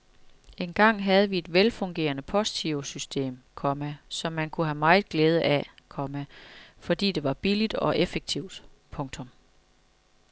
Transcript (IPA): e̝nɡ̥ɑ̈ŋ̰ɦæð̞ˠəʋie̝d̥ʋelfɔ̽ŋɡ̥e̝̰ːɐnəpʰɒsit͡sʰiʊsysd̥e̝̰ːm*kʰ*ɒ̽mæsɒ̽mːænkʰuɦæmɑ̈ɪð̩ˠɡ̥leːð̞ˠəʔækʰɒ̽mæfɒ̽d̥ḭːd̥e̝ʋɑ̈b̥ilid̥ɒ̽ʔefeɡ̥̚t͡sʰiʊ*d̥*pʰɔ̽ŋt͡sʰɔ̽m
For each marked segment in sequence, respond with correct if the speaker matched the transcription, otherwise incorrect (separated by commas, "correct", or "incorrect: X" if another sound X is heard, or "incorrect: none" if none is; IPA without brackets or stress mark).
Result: correct, correct